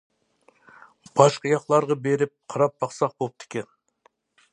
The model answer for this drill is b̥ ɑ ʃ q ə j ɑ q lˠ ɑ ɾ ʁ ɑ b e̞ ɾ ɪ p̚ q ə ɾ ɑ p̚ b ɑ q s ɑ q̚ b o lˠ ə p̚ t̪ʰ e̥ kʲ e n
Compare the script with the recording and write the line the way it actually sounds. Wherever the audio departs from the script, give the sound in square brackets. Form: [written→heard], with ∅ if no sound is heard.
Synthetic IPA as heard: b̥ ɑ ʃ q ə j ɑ q lˠ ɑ ɾ ʁ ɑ b e̞ ɾ ɪ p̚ [q→qʰ] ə ɾ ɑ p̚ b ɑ q s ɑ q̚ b o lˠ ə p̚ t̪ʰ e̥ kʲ e n